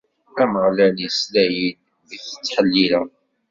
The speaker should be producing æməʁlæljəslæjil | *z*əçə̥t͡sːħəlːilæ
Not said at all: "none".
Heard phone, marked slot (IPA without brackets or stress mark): ð